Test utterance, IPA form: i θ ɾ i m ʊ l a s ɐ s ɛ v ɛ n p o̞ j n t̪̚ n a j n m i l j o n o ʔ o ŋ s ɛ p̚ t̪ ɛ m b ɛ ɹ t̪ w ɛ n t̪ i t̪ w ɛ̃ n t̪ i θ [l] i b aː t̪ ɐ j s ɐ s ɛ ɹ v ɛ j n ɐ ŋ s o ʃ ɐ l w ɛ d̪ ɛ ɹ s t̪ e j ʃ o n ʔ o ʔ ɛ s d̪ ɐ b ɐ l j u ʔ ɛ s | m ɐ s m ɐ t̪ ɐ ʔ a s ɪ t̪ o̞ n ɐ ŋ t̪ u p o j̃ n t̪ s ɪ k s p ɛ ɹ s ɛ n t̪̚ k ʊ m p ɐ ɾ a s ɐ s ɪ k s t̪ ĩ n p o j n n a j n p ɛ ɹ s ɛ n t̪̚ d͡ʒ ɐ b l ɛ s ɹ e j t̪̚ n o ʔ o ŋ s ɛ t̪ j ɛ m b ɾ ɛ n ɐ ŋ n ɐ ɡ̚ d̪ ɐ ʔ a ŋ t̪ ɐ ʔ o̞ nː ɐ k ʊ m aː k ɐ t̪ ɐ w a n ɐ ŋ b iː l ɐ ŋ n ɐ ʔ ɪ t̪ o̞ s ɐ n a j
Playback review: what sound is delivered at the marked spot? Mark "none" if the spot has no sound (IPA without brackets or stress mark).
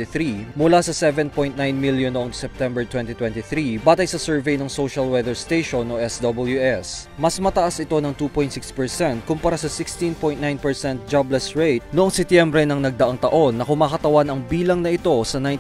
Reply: ɾ